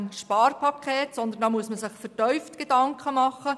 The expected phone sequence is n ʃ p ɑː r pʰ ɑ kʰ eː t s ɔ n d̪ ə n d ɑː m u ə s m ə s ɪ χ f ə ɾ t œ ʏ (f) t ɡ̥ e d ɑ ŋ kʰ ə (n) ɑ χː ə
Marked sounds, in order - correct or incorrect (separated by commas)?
correct, incorrect